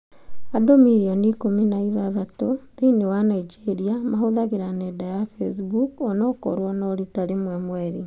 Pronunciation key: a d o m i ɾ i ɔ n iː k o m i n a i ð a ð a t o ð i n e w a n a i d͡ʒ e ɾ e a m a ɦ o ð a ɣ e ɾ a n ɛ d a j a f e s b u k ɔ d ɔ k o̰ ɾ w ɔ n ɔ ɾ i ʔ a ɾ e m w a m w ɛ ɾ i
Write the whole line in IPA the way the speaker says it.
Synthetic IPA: a d o m i ɾ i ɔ n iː k o m i n a i ð a ð a t o ð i n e w a n a i d͡ʒ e ɾ i a m a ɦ o ð a ɣ e ɾ a n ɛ d a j a f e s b u k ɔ n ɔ k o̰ ɾ w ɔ n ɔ ɾ i t a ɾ e m w ɛ m w ɛ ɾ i